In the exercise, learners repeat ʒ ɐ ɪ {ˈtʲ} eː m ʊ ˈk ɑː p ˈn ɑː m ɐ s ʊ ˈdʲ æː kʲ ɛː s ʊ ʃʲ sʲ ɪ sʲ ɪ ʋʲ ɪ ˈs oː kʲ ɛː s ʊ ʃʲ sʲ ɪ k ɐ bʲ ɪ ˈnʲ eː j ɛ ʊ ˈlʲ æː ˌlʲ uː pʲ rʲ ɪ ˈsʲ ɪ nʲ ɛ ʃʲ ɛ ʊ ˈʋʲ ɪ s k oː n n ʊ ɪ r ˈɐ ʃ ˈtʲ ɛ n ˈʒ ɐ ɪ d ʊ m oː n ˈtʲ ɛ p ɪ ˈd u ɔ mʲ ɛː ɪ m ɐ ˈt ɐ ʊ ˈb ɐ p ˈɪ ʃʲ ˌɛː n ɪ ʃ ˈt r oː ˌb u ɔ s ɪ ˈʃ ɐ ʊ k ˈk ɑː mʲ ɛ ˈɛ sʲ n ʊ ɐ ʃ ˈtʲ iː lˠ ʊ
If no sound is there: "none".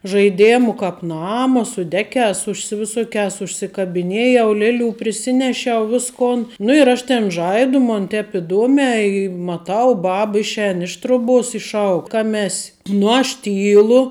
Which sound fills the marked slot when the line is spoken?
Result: dʲ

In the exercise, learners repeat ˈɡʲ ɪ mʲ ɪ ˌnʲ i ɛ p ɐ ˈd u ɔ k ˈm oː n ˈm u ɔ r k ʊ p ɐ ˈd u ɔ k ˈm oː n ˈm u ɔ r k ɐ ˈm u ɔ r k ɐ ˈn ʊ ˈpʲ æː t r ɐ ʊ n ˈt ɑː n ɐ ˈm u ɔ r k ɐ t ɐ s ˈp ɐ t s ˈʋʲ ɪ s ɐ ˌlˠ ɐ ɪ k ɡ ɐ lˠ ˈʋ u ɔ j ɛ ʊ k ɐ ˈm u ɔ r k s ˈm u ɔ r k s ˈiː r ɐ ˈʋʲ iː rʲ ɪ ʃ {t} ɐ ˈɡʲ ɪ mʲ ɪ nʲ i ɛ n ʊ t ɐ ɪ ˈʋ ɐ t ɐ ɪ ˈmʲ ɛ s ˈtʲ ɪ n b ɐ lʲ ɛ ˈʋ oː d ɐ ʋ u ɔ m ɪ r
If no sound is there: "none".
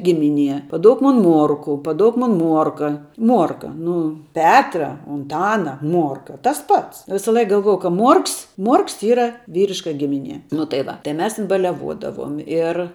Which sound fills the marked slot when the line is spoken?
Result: k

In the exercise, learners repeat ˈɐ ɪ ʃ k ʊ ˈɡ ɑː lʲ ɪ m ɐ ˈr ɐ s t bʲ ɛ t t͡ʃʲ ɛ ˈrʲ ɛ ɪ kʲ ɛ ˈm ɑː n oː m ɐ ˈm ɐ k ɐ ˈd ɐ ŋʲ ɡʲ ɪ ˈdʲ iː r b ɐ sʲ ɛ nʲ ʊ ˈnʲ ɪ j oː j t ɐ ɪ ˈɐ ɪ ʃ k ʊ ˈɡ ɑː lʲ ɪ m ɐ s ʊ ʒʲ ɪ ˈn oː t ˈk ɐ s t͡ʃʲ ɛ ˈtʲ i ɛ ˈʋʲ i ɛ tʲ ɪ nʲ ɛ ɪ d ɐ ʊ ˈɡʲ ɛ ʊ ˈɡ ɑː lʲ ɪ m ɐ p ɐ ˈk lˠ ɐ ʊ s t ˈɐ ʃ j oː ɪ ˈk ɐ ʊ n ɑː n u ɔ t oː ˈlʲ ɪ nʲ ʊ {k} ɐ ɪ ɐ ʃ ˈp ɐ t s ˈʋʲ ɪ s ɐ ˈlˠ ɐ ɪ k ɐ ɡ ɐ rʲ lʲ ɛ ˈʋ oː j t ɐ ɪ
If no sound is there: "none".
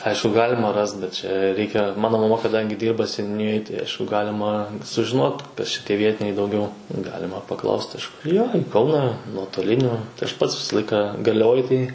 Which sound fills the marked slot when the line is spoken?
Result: t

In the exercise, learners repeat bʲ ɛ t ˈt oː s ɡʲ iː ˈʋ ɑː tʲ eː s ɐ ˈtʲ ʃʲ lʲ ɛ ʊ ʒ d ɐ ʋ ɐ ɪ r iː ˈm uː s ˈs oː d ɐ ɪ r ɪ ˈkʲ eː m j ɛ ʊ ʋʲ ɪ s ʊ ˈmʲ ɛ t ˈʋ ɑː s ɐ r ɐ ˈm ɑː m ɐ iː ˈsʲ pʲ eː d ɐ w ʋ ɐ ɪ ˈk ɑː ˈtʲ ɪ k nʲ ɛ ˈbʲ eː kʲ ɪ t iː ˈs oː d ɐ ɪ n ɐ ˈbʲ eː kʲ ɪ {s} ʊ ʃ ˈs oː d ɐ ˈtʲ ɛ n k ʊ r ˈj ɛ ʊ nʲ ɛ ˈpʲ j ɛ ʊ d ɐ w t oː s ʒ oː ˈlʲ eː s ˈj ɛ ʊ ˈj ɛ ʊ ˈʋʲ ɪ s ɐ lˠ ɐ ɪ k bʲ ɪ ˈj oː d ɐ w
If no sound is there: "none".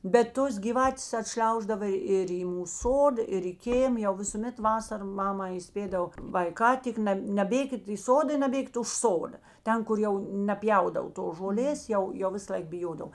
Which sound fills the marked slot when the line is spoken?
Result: t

